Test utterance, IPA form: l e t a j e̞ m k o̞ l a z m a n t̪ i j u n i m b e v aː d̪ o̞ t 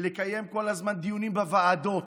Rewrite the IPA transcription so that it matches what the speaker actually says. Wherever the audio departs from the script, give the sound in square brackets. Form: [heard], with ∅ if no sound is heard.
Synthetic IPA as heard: l e [k] a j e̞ m k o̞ l a z m a n [d̪] i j u n i m b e v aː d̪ o̞ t